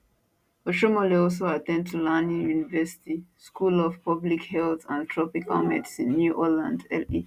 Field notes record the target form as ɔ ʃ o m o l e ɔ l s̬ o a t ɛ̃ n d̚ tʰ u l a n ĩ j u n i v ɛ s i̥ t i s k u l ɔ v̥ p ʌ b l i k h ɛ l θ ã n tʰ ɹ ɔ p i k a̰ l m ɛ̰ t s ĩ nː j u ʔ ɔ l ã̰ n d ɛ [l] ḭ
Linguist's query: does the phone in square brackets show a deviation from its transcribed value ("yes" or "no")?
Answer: no